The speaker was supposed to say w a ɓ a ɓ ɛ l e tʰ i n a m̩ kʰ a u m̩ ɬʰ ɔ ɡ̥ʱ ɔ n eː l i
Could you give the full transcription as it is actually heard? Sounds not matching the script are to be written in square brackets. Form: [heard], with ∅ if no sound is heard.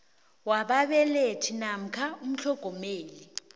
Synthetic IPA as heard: w a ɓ a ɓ ɛ l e tʰ i n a m̩ kʰ a u m̩ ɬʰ ɔ ɡ̥ʱ ɔ [m] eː l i